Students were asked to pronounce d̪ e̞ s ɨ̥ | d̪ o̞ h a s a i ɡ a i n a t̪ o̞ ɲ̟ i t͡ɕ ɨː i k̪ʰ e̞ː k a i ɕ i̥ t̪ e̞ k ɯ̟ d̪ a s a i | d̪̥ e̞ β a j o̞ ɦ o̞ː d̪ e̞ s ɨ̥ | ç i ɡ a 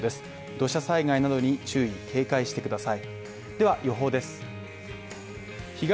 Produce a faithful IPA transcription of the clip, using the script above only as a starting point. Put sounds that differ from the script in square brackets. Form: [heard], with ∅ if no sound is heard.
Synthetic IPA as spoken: d̪ e̞ s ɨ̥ | d̪ o̞ [ɕ] a s a i ɡ a i n a [d̪] o̞ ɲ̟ i t͡ɕ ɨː i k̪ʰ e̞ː k a i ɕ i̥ t̪ e̞ k ɯ̟ d̪ a s a i | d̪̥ e̞ β a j o̞ ɦ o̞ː d̪ e̞ s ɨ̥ | ç i ɡ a